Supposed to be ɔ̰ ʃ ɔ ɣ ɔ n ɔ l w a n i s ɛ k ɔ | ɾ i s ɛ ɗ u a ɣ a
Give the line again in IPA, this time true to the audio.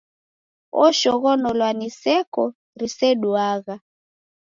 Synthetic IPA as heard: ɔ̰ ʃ ɔ ɣ ɔ n ɔ l w a n i s ɛ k ɔ | ɾ i s ɛ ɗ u a ɣ a